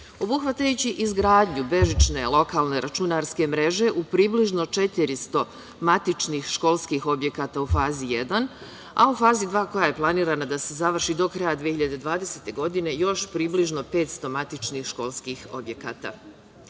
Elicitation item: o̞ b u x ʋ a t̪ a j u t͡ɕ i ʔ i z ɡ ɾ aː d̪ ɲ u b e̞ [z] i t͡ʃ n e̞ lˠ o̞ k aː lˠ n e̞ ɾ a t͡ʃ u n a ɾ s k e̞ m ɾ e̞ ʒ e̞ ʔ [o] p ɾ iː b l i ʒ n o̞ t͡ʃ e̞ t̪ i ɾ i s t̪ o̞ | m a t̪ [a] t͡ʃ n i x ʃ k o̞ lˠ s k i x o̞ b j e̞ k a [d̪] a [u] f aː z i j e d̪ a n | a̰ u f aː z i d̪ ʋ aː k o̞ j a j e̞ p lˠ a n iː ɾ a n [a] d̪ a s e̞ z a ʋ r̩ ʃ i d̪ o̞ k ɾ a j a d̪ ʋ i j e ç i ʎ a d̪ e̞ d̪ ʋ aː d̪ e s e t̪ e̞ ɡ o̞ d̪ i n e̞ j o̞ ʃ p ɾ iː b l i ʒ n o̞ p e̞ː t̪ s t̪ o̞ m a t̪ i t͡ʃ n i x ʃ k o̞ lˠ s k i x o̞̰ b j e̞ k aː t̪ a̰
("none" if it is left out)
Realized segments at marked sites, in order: ʒ, u, i, t̪, u, a

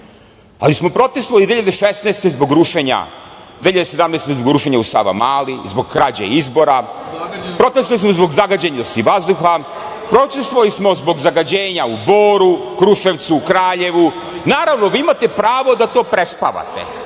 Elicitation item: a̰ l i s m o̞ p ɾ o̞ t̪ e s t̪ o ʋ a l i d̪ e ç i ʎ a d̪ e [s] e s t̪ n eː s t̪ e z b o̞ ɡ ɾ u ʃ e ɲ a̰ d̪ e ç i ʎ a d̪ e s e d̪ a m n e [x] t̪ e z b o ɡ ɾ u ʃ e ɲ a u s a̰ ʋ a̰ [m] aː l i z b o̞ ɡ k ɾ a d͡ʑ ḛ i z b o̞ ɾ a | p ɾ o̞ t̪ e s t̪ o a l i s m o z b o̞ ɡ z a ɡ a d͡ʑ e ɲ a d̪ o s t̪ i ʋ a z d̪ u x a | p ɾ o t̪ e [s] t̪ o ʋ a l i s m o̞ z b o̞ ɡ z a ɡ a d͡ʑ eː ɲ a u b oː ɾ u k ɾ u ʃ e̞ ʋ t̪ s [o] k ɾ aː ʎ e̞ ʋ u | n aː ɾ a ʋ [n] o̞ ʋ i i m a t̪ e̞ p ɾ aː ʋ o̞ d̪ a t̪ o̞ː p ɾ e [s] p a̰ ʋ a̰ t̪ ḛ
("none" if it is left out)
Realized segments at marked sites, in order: ʃ, s, m, s, u, n, s

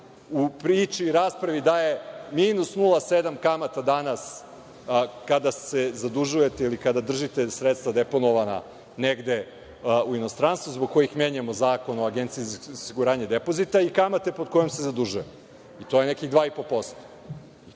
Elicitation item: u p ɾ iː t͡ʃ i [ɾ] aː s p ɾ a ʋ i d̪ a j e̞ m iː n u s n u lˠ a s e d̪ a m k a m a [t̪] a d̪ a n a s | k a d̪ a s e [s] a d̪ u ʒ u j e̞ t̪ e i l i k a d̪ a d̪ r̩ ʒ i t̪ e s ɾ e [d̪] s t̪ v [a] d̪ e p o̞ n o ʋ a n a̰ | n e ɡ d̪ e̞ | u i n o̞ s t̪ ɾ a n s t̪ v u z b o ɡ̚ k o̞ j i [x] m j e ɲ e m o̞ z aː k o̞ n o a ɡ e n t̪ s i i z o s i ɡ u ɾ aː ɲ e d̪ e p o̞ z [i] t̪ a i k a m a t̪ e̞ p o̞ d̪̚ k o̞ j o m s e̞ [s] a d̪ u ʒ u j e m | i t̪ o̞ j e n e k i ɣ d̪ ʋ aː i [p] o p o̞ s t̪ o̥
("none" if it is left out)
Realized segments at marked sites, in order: ɾ, t̪, z, t̪, a, x, i, z, p

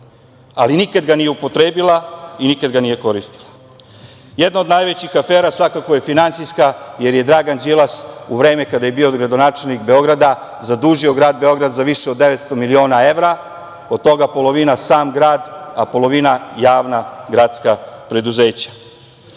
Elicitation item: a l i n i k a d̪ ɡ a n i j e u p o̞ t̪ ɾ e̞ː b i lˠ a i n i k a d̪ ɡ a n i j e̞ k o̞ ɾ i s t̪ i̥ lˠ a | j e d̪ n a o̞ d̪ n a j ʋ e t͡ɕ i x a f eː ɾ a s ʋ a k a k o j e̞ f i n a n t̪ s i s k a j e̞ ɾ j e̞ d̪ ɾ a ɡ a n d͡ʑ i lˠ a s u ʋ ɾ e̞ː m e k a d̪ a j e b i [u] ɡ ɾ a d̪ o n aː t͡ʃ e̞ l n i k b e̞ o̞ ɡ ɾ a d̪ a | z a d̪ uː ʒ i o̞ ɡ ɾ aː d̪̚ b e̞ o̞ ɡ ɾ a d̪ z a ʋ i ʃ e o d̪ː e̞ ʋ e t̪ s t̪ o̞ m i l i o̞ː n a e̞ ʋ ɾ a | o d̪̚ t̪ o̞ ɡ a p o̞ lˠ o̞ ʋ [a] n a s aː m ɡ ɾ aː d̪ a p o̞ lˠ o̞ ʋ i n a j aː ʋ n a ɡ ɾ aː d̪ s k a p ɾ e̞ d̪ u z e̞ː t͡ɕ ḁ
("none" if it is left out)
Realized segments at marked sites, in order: o, i

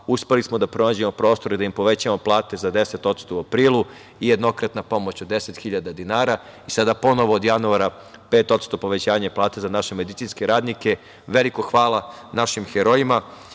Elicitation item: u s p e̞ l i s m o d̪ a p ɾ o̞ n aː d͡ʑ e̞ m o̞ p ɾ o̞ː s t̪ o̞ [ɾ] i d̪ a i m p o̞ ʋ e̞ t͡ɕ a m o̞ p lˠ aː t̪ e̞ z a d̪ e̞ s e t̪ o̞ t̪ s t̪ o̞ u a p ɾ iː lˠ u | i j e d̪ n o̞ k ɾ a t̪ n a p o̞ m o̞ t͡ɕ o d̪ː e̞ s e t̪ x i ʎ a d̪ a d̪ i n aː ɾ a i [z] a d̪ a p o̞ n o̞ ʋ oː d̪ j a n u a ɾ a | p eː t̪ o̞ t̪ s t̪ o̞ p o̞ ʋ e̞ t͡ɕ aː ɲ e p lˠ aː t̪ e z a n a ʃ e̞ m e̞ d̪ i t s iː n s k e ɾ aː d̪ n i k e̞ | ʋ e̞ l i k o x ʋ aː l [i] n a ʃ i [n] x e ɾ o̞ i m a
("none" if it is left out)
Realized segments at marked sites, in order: ɾ, s, a, m

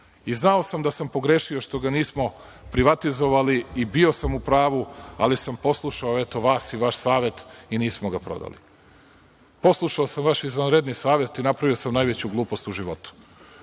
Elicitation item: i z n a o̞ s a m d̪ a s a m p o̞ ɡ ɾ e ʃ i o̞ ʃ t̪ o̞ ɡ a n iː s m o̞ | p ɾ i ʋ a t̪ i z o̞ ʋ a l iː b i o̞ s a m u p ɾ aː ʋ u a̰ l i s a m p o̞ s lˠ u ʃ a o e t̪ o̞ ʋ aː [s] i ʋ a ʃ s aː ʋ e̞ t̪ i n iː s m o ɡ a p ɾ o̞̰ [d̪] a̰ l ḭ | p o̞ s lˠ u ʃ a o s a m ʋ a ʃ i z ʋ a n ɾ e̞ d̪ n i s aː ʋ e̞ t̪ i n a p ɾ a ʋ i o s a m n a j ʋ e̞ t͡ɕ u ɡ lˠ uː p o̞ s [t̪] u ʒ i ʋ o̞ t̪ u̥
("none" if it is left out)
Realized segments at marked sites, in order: s, d̪, t̪

